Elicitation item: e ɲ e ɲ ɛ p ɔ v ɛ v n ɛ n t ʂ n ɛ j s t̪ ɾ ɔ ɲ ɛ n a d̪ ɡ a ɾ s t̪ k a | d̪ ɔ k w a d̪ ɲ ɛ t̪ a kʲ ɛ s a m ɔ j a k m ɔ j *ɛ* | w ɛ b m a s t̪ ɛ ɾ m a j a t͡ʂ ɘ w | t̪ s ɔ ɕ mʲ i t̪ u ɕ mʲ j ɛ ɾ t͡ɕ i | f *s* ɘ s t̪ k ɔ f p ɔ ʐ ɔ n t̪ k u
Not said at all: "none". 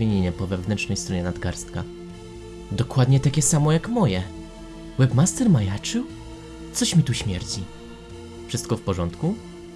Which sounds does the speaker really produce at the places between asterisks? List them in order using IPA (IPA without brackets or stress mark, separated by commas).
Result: ɛ, ʂ